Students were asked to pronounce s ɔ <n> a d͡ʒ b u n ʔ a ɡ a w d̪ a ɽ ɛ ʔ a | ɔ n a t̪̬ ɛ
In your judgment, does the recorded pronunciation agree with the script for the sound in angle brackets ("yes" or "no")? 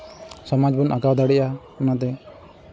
no